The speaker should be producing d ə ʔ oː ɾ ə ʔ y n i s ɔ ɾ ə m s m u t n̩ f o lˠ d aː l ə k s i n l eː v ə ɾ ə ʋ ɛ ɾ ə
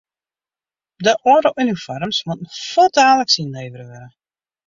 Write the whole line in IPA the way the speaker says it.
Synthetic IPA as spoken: d ə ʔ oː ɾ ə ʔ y n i f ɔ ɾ ə m s m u t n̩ f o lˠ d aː l ə k s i n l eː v ə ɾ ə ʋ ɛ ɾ ə